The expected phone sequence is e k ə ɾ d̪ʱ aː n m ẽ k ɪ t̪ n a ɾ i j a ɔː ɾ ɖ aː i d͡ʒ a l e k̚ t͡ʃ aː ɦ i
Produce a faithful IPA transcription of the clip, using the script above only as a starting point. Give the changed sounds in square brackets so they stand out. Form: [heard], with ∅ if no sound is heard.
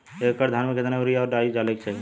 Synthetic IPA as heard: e k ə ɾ d̪ʱ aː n m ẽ k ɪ t̪ n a ɾ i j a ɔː ɾ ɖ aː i d͡ʒ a l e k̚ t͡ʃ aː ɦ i